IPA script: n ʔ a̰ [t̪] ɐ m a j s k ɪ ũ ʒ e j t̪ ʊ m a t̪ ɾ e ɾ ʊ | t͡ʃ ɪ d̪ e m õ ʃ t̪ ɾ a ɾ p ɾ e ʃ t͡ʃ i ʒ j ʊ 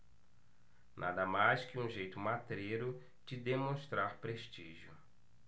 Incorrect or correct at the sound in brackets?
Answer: incorrect: d̪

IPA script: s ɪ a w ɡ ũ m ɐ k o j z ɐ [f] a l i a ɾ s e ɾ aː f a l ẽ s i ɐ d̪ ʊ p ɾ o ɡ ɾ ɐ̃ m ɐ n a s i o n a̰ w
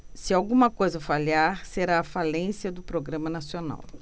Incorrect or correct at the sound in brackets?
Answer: correct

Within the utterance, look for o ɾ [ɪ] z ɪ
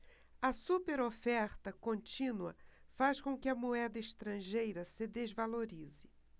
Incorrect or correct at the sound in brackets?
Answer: incorrect: i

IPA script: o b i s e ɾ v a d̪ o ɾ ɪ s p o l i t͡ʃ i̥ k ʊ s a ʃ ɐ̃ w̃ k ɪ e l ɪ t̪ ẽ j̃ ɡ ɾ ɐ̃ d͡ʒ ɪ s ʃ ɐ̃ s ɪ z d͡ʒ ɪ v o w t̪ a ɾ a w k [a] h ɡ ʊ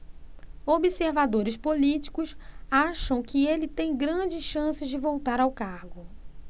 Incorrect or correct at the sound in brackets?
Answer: correct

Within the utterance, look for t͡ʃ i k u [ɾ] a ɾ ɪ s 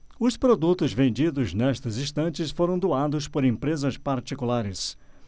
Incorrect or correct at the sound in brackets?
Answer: incorrect: l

